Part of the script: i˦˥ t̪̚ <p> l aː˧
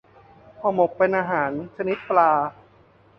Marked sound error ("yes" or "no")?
no